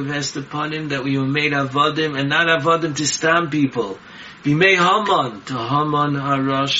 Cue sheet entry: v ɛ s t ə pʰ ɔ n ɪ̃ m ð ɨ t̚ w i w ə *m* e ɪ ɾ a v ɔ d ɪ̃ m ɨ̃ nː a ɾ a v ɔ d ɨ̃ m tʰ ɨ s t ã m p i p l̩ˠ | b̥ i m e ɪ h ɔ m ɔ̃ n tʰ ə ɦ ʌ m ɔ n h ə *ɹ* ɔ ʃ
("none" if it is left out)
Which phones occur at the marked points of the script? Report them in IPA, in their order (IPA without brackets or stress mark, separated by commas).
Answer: m, ɹ